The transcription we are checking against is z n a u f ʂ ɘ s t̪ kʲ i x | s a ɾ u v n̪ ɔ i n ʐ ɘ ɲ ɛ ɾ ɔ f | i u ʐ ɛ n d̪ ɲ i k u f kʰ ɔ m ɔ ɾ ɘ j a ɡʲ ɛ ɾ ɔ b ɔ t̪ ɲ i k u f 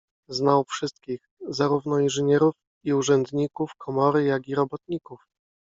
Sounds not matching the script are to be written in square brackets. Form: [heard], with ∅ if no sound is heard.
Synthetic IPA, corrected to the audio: z n a [w] f ʂ ɘ s t̪ kʲ i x | [z] a ɾ u v n̪ ɔ i n ʐ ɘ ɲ ɛ ɾ [u] f | i u ʐ ɛ n d̪ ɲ i k u f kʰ ɔ m ɔ ɾ ɘ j a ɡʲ [i] ɾ ɔ b ɔ t̪ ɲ i k u f